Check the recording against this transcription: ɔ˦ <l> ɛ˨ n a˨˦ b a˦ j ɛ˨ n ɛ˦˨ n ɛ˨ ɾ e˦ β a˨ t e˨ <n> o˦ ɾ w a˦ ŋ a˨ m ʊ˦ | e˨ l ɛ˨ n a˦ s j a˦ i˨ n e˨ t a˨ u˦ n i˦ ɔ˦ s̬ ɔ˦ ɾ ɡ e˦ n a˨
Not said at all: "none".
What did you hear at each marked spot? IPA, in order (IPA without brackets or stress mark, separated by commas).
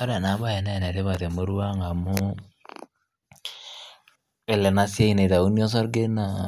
ɾ, m